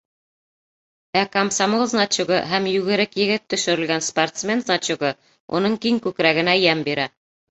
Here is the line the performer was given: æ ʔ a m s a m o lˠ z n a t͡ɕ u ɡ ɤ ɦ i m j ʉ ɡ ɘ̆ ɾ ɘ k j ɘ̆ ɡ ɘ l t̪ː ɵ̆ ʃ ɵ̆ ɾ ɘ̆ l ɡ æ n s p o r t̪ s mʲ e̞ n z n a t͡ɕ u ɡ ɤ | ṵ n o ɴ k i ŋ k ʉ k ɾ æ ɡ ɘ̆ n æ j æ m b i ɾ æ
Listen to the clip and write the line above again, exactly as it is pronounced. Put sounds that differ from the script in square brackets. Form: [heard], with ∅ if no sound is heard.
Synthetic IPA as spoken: æ [k] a m s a m o lˠ z n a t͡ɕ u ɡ ɤ ɦ [æ] m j ʉ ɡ ɘ̆ ɾ ɘ k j ɘ̆ ɡ ɘ [∅] t̪ː ɵ̆ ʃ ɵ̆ ɾ ɘ̆ l ɡ æ n s p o r t̪ s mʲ e̞ n z n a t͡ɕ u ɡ ɤ | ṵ n [ɤ] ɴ k i ŋ k ʉ k ɾ æ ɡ ɘ̆ n æ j æ m b i ɾ æ